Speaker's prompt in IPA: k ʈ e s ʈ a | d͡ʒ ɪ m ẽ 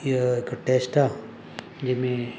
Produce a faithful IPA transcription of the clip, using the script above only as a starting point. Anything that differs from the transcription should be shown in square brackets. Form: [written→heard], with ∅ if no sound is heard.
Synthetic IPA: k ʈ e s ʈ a | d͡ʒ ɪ m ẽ